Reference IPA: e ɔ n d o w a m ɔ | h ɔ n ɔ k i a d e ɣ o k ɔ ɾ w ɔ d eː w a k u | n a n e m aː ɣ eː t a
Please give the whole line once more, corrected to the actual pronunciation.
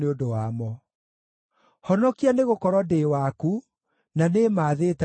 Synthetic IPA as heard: e o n d o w a m ɔ | h ɔ n ɔ k i a n e ɣ o k ɔ ɾ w ɔ d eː w a k u | n a n e m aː ð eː t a